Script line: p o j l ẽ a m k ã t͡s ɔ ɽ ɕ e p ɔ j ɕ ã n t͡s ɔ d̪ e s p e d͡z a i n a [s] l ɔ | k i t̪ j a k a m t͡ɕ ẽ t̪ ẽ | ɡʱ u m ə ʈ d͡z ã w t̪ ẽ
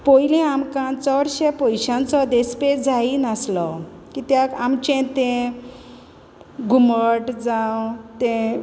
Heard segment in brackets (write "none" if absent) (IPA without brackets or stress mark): s